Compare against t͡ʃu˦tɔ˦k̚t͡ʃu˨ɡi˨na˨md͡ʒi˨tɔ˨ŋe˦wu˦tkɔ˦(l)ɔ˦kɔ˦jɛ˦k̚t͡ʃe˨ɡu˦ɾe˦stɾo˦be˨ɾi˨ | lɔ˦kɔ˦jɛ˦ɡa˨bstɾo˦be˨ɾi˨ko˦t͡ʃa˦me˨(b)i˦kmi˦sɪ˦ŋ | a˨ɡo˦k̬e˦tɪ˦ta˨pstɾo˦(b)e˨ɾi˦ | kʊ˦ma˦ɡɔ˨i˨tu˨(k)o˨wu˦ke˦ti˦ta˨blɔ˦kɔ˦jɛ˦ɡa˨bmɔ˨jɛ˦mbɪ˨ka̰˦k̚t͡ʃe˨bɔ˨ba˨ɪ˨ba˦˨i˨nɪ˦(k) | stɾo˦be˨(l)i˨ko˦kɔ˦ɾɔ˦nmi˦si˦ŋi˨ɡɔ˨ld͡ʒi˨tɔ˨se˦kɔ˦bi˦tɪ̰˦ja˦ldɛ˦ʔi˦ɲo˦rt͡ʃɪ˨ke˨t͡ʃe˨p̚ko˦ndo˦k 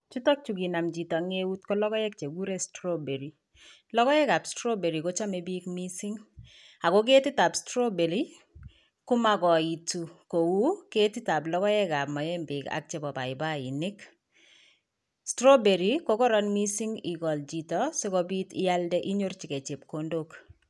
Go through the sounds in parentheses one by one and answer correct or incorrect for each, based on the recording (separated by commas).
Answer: correct, correct, correct, correct, correct, incorrect